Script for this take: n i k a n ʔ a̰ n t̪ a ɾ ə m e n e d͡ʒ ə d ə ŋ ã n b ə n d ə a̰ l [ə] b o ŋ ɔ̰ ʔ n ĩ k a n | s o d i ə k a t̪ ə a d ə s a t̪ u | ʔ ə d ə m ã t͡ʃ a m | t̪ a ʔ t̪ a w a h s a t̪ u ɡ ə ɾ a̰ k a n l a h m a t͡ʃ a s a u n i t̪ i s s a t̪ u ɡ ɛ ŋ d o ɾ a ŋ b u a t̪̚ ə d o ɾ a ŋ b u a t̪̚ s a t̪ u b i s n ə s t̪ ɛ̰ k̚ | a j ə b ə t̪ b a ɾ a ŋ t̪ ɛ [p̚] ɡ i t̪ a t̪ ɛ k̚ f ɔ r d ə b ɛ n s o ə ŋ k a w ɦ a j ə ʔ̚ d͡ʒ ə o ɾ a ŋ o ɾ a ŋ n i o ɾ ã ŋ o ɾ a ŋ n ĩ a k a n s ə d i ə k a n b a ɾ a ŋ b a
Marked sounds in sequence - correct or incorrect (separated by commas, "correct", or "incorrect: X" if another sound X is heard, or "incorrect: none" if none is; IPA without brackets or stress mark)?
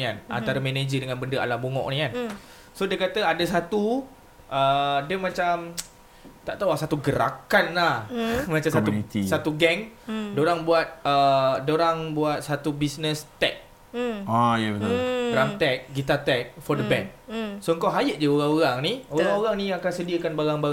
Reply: incorrect: a, incorrect: k̚